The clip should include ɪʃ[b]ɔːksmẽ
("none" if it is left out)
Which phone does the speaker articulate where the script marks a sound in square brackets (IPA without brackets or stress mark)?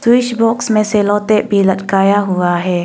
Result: b